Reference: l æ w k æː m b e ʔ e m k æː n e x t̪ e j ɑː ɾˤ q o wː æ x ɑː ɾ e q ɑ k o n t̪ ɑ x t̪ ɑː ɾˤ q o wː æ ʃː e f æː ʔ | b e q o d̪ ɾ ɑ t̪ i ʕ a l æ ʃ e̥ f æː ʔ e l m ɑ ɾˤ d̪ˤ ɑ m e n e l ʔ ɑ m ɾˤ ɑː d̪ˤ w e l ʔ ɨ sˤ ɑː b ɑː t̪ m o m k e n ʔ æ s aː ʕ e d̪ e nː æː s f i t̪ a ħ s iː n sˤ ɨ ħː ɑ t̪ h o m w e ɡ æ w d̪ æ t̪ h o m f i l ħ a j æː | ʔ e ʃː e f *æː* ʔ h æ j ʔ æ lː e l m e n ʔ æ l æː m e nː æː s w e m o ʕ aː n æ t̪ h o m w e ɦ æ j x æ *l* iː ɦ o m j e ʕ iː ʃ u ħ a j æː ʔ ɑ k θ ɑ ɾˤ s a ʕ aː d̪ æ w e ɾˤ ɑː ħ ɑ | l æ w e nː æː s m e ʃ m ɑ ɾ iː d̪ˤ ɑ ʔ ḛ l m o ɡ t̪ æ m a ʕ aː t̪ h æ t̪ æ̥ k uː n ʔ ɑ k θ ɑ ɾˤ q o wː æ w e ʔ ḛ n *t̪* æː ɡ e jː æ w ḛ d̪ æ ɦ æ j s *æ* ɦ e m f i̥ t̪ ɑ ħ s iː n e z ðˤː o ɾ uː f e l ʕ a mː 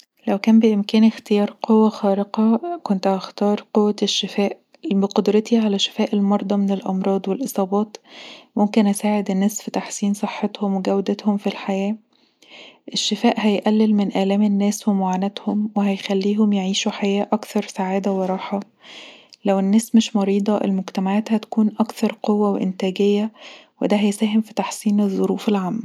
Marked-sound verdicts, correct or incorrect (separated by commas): correct, incorrect, correct, incorrect